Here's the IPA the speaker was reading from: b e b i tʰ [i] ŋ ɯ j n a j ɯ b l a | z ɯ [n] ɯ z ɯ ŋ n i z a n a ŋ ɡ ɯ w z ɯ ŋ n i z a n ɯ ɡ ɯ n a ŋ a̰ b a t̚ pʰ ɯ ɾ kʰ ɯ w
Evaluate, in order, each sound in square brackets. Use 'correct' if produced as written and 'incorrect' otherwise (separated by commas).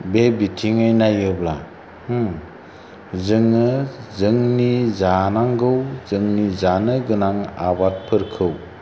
correct, incorrect